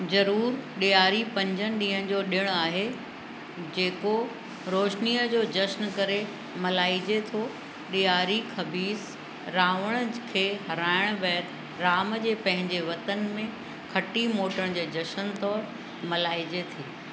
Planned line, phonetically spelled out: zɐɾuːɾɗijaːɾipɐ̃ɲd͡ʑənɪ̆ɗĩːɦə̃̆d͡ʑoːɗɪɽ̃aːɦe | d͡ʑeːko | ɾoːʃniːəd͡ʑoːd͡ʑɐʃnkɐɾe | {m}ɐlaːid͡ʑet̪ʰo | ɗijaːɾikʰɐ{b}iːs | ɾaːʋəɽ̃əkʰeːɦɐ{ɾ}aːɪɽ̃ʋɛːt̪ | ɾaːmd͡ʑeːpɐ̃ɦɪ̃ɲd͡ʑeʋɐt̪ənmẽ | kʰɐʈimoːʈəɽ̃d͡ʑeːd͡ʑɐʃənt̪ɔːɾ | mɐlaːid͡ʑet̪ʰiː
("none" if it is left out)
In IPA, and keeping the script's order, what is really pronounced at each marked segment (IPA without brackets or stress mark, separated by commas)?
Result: m, b, ɾ